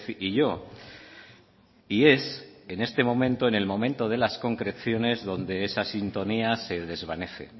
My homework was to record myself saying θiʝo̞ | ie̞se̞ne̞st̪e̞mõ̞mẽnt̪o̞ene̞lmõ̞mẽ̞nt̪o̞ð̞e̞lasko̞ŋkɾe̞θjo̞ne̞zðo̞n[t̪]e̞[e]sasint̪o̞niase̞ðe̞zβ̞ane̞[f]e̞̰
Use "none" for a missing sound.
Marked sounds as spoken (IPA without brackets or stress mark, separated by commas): d̪, e, θ